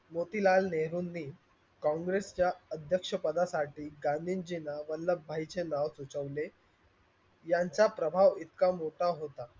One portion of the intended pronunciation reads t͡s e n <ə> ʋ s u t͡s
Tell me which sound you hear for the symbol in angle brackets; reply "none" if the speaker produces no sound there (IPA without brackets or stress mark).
a